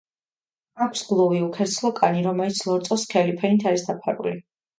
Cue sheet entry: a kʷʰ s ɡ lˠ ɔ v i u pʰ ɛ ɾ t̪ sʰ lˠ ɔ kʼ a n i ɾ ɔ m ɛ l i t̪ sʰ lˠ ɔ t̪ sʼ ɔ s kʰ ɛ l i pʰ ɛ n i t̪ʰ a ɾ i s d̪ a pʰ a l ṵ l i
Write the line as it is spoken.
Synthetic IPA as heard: a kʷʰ s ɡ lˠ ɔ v i u kʰ ɛ ɾ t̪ sʰ lˠ ɔ kʼ a n i ɾ ɔ m ɛ l i t̪ sʰ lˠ ɔ t̪ sʼ ɔ s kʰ ɛ l i pʰ ɛ n i t̪ʰ a ɾ i s d̪ a pʰ a ɾ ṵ l i